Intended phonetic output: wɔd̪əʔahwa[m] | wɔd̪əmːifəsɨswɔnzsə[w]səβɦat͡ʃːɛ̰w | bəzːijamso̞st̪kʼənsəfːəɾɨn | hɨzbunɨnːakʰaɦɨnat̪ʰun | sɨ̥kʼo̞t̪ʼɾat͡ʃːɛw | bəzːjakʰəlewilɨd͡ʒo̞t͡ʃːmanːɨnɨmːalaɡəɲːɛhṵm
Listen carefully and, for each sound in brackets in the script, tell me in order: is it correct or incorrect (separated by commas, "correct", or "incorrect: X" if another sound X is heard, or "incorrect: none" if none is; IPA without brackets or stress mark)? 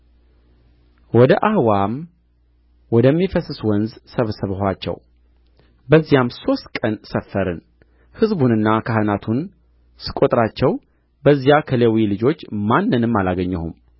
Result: correct, incorrect: β